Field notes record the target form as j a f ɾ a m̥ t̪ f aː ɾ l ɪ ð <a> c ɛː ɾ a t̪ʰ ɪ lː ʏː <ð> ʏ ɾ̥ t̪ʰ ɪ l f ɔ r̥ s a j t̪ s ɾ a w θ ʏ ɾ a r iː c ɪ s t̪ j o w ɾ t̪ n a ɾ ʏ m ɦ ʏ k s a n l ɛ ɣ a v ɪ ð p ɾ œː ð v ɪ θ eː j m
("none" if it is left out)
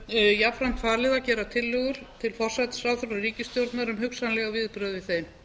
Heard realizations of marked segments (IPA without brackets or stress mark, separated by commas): a, ɣ